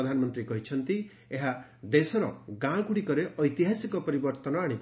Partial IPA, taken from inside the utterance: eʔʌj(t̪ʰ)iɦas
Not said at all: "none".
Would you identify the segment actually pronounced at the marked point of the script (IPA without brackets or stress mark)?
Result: t̪